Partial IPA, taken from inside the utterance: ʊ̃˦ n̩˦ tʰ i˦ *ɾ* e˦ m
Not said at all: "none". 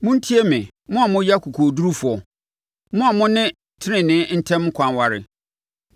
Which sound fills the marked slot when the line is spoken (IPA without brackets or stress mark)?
none